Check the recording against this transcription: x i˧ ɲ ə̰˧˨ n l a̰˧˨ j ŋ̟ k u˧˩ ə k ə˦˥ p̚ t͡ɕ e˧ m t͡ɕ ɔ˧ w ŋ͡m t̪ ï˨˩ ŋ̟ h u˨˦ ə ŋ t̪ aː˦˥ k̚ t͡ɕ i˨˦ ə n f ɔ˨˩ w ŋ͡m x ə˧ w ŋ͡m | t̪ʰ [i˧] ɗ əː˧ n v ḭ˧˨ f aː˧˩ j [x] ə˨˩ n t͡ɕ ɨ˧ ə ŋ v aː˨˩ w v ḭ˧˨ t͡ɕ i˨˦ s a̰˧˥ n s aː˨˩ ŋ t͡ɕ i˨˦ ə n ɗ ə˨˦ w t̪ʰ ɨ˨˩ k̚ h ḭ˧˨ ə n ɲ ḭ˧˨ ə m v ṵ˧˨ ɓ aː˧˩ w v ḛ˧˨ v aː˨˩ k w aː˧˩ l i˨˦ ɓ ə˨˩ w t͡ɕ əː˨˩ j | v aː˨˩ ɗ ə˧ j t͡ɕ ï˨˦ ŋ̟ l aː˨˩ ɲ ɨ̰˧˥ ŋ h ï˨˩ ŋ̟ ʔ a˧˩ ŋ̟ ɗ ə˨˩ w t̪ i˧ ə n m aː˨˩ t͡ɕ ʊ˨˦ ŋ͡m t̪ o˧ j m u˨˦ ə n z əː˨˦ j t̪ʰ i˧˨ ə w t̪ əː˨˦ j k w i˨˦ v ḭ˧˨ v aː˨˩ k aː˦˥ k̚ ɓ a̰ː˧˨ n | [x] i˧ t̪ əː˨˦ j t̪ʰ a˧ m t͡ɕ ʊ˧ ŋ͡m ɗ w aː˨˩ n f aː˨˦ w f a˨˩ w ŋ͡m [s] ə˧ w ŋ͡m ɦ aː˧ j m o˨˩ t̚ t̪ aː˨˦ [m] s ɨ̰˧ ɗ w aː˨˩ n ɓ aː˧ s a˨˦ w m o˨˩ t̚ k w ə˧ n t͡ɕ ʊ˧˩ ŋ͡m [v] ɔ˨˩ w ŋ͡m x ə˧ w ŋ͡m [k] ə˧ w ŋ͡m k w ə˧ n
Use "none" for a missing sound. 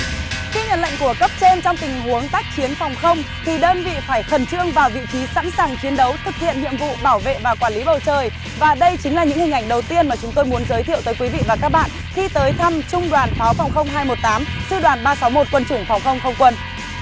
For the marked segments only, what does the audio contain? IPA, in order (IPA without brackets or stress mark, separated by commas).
i˨˩, x, x, x, m, f, x